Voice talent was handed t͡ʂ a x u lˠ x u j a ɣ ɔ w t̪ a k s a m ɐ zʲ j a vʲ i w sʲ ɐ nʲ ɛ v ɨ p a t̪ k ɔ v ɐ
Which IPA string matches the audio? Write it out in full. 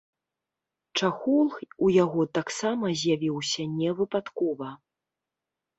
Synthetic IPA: t͡ʂ a x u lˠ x u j a ɣ ɔ t̪ a k s a m ɐ zʲ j a vʲ i w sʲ ɐ nʲ ɛ v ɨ p a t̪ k ɔ v ɐ